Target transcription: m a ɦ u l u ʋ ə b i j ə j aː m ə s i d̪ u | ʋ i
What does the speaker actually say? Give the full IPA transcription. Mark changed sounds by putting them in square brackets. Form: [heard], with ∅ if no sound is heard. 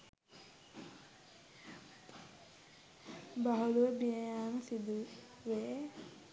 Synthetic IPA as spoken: [b] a ɦ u l u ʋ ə b i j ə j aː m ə s i d̪ u | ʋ [e]